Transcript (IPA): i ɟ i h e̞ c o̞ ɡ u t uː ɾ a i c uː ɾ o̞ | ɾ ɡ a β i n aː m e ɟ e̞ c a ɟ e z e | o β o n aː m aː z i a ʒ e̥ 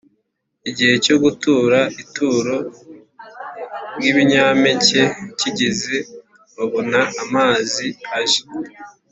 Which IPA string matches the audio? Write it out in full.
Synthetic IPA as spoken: i ɟ i h e̞ c o̞ ɡ u t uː ɾ a i t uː ɾ o̞ | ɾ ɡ i β i ɲ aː m e c e̞ c i ɟ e z e | o β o n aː m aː z i a ʒ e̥